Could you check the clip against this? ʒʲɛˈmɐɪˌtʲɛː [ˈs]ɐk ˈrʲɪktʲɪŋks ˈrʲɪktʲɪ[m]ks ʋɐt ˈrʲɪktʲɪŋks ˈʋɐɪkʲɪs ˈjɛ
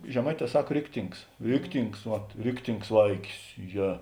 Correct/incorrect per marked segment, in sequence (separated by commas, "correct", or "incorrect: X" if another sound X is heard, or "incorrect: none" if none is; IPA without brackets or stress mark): correct, incorrect: ŋ